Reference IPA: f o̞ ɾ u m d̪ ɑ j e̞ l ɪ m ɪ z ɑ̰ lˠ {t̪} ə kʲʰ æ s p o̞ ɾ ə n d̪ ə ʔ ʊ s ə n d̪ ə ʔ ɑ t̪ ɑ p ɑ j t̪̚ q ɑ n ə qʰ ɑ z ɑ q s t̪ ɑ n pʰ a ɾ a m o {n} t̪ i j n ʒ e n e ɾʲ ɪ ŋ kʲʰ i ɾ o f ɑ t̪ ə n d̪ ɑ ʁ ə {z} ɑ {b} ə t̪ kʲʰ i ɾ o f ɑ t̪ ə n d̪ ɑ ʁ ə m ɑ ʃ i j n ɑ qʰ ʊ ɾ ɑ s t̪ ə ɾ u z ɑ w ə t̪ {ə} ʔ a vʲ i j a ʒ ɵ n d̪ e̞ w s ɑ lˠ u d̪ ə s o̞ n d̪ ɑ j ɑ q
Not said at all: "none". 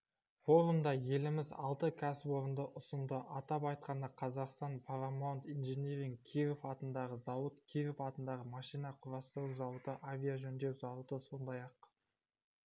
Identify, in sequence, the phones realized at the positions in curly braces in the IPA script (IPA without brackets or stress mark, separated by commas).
t̪, n, z, w, ə